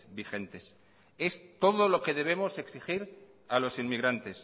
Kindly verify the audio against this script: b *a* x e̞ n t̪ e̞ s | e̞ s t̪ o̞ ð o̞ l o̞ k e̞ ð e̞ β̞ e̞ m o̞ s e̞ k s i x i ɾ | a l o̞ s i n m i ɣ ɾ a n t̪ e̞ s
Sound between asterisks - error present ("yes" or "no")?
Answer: yes